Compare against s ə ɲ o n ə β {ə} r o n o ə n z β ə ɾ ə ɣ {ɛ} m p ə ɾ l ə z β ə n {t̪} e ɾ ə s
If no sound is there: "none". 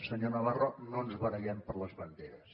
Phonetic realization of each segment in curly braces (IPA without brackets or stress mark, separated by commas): a, ɛ, d̪